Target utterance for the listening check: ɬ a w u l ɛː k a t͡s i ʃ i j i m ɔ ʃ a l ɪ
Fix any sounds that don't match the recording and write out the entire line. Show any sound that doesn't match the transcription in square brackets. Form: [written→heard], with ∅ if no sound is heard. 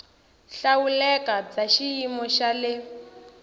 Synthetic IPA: ɬ a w u l [ɛː→ɛ] k a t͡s [i→a] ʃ i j i m ɔ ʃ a l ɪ